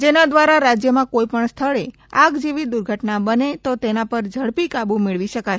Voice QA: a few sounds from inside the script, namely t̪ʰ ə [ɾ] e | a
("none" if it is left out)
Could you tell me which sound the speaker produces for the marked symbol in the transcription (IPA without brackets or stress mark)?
ɭ